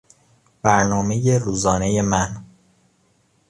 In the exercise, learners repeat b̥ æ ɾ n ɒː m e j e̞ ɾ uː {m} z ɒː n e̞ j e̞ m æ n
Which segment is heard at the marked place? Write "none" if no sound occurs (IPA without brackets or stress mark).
none